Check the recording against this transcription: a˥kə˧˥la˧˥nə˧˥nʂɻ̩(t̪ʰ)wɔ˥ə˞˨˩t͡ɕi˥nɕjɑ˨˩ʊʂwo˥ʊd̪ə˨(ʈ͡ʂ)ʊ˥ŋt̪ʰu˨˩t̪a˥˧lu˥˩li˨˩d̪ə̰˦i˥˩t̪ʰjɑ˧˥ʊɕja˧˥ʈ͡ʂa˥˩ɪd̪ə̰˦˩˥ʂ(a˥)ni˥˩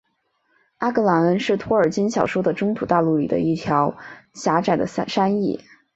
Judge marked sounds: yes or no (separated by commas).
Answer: yes, yes, yes